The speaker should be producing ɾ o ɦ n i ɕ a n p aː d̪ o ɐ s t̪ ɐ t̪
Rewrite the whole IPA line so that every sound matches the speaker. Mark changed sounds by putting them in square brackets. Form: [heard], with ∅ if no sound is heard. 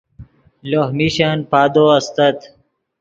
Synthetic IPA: [l] o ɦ [m] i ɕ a n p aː d̪ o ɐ s t̪ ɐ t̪